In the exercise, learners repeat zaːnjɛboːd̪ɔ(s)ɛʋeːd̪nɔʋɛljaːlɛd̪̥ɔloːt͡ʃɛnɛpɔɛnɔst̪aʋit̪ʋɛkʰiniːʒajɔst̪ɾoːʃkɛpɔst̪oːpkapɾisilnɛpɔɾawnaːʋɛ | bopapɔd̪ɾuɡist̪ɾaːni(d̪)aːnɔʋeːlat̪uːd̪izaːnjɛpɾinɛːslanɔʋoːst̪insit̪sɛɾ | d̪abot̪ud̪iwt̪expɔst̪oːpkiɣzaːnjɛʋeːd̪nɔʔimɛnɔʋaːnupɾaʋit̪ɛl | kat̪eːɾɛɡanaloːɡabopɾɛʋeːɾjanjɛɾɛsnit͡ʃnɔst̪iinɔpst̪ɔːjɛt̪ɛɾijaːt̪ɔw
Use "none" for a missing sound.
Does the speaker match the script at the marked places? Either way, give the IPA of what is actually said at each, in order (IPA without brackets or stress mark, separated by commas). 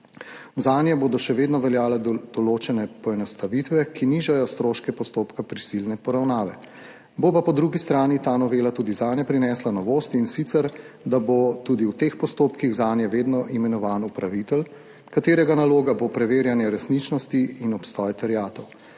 ʃ, t̪